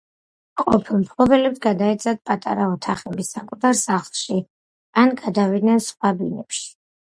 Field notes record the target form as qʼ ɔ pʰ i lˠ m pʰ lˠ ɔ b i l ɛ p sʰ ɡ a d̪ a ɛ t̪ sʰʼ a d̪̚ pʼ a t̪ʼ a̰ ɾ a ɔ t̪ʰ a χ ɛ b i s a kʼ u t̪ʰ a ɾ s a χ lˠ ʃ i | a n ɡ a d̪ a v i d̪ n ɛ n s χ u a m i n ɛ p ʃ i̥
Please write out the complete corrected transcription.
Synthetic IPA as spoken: qʼ ɔ pʰ i lˠ m pʰ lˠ ɔ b ɛ l ɛ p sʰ ɡ a d̪ a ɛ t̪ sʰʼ a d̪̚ pʼ a t̪ʼ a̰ ɾ a ɔ t̪ʰ a χ ɛ b i s a kʼ u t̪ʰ a ɾ s a χ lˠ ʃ i | a n ɡ a d̪ a v i d̪ n ɛ n s χ w a b i n ɛ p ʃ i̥